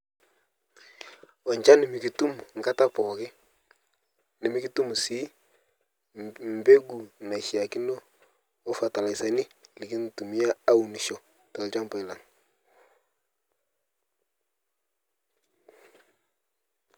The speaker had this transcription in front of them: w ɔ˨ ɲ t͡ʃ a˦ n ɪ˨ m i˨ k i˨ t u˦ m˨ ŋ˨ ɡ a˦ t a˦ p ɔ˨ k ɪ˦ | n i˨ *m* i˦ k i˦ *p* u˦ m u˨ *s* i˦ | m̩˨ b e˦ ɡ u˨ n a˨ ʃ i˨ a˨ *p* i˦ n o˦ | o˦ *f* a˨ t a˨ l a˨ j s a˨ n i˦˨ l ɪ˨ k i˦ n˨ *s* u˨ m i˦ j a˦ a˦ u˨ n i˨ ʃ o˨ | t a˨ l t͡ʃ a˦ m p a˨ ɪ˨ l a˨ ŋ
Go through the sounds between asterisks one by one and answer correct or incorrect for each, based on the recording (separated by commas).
correct, incorrect, correct, incorrect, correct, incorrect